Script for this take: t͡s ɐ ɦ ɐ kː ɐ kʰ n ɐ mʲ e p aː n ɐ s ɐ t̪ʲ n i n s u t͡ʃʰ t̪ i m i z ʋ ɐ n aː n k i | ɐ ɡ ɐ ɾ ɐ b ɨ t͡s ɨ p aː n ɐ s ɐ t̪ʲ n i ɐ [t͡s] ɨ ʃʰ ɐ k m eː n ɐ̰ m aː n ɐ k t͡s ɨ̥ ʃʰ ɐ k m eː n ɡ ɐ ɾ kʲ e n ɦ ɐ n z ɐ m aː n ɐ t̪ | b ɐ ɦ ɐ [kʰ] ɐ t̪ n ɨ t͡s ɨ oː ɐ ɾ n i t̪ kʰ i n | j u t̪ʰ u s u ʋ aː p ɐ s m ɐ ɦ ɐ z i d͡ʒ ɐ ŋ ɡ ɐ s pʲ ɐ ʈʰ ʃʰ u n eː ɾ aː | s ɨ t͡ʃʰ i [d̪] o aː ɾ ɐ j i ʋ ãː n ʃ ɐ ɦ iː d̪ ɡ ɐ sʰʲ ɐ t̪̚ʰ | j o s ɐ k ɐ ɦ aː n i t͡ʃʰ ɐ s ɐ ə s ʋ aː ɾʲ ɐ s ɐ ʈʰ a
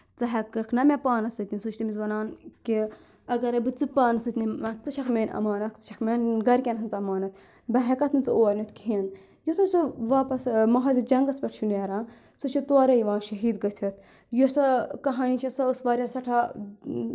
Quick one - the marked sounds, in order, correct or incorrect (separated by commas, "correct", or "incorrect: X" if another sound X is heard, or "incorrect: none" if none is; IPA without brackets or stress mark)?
correct, incorrect: k, incorrect: t̪